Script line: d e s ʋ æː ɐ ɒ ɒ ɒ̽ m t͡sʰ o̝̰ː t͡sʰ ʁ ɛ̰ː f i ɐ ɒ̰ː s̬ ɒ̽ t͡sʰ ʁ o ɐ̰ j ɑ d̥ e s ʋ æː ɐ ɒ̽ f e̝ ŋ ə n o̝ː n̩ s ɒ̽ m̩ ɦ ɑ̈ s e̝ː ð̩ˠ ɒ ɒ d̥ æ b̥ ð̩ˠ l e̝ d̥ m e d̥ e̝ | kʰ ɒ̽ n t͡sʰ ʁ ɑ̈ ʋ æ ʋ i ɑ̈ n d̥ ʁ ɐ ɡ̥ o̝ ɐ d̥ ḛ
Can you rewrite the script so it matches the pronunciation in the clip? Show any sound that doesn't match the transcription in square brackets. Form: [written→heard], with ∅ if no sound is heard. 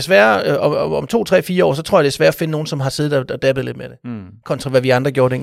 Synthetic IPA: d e s ʋ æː ɐ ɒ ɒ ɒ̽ m t͡sʰ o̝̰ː t͡sʰ ʁ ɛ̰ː f [i→iː] ɐ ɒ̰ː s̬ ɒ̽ t͡sʰ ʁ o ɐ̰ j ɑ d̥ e s ʋ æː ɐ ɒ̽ f e̝ [ŋ→n] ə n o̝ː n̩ s ɒ̽ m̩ ɦ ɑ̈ s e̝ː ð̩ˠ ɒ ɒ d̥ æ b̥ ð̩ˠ l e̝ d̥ m e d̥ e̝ | kʰ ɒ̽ n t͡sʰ ʁ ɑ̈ ʋ æ ʋ i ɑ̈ n d̥ ʁ ɐ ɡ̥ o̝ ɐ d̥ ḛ